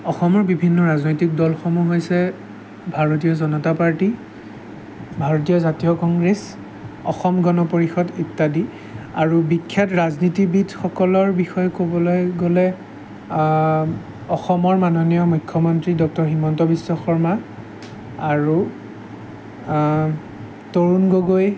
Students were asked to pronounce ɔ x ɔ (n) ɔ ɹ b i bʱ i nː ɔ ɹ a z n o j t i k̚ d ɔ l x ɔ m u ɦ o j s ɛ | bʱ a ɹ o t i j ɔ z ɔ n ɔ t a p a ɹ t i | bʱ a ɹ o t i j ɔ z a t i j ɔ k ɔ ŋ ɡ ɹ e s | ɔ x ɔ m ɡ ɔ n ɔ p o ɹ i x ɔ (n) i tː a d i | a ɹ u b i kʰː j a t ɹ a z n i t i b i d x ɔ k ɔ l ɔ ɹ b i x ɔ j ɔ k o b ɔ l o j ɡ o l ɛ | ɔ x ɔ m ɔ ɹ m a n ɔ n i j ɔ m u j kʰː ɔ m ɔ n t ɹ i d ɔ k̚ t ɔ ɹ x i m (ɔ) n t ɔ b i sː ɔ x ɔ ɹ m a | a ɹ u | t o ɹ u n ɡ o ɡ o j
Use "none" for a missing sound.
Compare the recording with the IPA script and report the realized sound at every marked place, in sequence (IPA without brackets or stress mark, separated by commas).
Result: m, d, ɔ